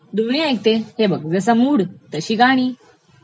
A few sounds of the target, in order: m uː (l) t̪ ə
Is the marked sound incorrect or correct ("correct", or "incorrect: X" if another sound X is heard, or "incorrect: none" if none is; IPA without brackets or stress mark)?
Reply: incorrect: ɽ